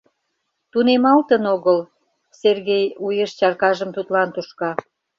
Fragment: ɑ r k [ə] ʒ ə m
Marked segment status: incorrect: ɑ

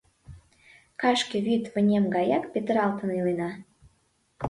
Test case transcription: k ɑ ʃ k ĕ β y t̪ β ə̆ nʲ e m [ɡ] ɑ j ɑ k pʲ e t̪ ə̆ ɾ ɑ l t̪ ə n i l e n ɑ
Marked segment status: correct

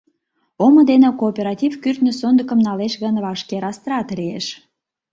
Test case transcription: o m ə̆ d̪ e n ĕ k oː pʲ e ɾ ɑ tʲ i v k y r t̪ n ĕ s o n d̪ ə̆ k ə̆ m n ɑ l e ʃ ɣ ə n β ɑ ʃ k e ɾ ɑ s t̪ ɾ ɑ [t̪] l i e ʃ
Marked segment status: correct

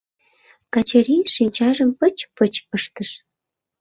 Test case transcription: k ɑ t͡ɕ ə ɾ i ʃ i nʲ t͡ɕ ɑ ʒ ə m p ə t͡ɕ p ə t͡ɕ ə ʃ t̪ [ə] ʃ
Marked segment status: correct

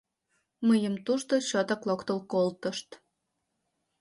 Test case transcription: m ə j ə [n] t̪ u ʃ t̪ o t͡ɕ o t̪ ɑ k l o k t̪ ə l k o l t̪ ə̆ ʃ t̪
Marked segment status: incorrect: m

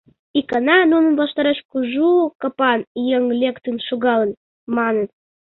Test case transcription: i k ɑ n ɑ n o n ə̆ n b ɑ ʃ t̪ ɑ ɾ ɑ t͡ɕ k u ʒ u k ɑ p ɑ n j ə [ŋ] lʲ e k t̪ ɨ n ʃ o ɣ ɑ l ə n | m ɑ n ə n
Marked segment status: correct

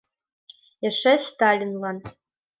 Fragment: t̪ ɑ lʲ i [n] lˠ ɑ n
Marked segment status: correct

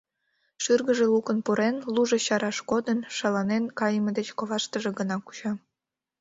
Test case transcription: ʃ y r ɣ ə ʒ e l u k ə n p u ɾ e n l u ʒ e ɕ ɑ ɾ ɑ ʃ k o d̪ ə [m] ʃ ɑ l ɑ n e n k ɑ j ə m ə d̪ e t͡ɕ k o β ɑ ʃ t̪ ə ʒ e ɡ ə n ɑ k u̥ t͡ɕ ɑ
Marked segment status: incorrect: n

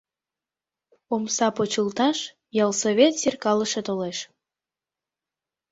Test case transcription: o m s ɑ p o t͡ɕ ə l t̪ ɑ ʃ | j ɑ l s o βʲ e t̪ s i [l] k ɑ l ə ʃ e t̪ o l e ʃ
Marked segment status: incorrect: r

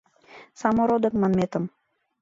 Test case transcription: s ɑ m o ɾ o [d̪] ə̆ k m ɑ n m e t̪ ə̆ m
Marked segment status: correct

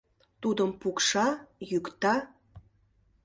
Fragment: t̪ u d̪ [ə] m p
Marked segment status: correct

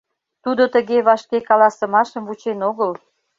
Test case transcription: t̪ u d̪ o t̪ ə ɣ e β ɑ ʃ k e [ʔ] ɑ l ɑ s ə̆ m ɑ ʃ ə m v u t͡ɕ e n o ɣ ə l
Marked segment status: incorrect: k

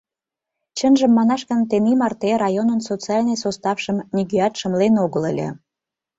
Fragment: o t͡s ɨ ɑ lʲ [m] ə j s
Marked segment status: incorrect: n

